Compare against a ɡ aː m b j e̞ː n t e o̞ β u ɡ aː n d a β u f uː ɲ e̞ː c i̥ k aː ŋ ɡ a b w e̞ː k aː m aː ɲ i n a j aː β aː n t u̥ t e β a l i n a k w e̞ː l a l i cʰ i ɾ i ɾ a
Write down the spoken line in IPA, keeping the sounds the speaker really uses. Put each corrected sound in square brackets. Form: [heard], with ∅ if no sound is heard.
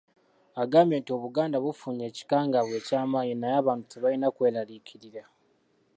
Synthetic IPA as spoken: a ɡ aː m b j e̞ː n t [i] o̞ β u ɡ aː n d a β u f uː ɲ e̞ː c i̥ k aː ŋ ɡ a [β] w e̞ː [c] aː m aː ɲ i n a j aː β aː n t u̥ t e β a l i n a k w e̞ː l a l i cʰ i ɾ i ɾ a

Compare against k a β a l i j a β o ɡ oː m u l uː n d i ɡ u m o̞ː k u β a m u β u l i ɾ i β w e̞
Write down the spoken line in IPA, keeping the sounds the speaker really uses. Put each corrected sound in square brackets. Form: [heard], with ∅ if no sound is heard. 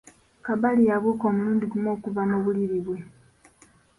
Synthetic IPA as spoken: k a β a l i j a β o [k] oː m u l uː n d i ɡ u m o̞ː k u [v] a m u β u l i ɾ i β w e̞

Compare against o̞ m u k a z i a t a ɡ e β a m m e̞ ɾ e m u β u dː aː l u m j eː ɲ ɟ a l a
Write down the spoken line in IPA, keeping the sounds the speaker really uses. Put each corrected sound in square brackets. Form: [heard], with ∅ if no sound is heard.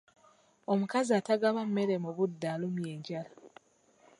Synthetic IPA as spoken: o̞ m u k a z i a t a ɡ [a] β a m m e̞ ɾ e m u β u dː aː l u m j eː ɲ ɟ a l a

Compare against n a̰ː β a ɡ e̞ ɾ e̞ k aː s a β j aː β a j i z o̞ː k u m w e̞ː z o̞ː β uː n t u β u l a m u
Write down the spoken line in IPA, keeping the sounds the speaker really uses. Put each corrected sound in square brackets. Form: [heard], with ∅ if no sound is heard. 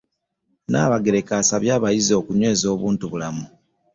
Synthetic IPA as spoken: n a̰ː β a ɡ e̞ ɾ e̞ k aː s a β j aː β a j i z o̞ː k u [ɲ] w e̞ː z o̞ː β uː n t u β u l a m u

